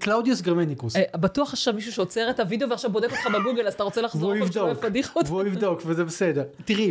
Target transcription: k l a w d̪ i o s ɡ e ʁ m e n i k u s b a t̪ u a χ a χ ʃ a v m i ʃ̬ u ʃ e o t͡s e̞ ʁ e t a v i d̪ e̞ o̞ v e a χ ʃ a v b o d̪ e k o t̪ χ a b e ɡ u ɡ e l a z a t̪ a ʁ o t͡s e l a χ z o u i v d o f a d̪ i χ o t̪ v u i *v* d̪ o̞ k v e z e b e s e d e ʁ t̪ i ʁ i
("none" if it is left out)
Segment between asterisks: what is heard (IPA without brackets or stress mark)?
v